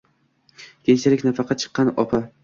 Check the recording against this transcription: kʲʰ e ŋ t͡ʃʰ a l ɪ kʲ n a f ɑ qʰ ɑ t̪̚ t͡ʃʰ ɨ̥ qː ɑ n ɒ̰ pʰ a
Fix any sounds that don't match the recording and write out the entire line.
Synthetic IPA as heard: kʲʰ e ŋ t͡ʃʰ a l ɪ kʲ n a f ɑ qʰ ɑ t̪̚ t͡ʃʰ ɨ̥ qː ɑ n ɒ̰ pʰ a